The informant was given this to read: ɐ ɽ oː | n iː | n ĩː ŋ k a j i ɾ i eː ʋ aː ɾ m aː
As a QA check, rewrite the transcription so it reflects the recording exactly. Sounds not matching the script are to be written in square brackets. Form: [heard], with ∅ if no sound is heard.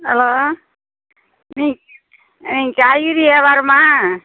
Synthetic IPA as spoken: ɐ [l] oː | n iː | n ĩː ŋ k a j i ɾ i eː ʋ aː ɾ m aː